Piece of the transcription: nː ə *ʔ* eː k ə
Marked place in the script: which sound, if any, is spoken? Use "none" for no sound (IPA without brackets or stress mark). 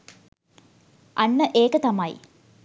ʔ